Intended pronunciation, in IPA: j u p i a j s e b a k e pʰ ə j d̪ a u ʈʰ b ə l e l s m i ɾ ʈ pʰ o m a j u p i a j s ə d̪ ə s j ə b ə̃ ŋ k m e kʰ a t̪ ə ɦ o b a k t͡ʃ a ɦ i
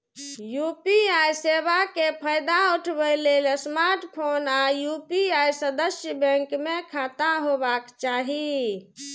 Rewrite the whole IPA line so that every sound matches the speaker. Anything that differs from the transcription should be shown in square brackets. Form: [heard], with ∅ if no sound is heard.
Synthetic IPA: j u p i a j s e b a k e pʰ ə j d̪ a u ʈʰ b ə l e l s m [a] ɾ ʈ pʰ o [n] a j u p i a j s ə d̪ ə s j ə b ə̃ ŋ k m e kʰ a t̪ [a] ɦ o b a k t͡ʃ a ɦ i